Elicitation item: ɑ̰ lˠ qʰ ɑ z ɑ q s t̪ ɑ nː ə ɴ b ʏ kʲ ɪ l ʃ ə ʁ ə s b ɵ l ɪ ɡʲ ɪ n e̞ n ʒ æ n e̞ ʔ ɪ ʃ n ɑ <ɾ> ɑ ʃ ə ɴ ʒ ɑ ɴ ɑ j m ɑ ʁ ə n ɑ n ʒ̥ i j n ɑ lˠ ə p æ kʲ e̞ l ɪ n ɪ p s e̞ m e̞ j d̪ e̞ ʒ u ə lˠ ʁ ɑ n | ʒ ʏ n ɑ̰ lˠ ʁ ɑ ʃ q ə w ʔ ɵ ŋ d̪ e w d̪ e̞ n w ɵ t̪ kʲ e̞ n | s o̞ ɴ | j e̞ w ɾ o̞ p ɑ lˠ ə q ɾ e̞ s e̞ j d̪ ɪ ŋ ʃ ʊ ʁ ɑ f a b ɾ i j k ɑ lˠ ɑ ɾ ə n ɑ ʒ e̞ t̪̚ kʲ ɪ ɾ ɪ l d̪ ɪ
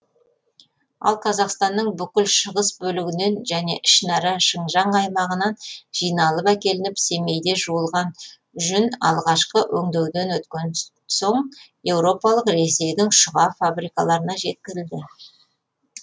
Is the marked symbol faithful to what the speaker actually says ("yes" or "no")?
yes